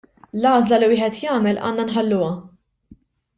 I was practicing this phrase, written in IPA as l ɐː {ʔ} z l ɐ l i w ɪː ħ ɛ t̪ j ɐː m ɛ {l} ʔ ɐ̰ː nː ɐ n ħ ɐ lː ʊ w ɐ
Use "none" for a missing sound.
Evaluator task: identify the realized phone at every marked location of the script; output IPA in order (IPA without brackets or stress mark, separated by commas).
none, l